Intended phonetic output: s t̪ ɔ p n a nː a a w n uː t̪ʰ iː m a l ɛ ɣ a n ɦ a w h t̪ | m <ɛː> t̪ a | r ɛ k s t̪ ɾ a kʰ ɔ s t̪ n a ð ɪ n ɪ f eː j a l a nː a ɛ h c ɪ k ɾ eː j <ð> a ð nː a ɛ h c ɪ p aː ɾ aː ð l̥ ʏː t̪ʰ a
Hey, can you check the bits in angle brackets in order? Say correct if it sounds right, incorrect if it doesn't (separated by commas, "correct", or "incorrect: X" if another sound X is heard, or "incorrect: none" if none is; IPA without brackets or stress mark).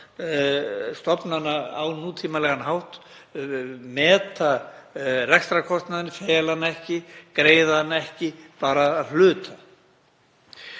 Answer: correct, correct